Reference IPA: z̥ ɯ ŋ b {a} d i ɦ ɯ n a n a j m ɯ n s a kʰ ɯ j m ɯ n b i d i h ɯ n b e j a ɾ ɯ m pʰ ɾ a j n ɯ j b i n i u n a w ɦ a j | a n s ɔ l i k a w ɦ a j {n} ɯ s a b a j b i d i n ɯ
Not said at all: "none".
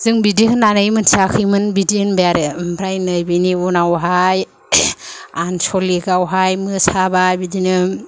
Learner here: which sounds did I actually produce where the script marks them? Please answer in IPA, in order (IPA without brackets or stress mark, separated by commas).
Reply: i, m